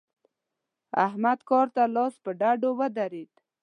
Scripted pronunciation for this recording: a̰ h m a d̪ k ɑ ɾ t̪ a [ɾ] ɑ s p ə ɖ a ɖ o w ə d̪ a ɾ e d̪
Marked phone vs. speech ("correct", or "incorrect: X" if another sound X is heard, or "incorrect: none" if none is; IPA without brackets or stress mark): incorrect: l